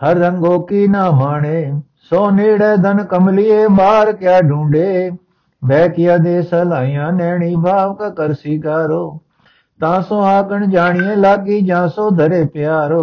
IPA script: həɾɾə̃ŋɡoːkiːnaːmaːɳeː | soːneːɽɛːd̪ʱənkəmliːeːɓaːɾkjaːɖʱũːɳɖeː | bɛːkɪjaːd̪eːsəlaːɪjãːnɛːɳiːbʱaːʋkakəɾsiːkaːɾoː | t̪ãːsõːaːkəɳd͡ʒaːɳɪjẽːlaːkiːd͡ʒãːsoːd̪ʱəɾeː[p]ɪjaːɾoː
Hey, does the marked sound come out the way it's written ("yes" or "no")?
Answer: yes